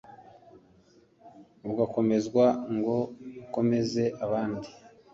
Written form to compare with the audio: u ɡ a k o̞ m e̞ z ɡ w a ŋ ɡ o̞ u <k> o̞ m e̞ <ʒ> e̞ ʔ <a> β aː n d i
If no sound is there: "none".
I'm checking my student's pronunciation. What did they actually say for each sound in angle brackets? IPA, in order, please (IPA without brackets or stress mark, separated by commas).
k, z, a